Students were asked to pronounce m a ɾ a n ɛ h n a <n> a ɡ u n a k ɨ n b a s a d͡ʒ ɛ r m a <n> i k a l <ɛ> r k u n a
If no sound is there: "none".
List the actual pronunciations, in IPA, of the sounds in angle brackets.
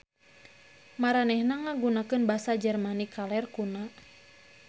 ŋ, n, ɛ

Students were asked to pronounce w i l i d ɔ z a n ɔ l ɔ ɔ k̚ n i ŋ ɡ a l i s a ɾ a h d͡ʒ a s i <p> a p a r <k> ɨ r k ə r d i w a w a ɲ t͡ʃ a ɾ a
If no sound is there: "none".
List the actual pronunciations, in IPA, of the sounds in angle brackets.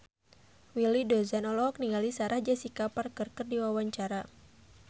k, k

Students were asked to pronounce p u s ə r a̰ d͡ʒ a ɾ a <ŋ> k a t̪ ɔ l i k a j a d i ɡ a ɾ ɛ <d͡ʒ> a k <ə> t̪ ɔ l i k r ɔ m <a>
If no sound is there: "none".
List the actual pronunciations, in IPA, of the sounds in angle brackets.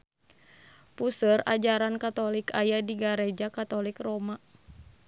n, d͡ʒ, a, a

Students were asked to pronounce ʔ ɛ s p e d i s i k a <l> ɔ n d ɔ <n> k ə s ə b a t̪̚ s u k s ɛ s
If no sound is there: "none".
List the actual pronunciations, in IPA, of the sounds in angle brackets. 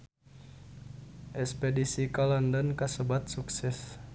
l, n

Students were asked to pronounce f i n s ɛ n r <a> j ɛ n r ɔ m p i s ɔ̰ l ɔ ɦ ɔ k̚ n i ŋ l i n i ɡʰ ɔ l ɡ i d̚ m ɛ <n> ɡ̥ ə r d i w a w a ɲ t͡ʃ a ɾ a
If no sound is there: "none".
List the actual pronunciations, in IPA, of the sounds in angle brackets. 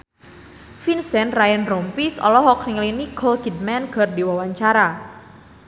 a, n

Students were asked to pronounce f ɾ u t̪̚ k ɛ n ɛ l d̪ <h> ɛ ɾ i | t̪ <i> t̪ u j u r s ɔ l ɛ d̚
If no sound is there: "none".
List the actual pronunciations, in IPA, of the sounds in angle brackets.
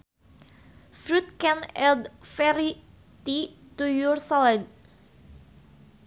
f, i

